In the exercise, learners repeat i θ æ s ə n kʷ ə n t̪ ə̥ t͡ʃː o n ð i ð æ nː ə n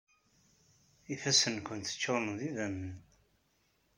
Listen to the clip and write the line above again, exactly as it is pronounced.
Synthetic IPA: i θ æ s ə n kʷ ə n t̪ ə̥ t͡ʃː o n ð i ð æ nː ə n